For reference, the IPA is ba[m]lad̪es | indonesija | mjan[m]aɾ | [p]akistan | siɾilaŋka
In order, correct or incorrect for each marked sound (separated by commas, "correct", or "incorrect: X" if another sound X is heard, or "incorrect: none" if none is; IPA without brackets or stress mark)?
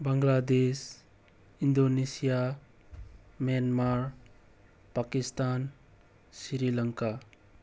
incorrect: ŋ, correct, correct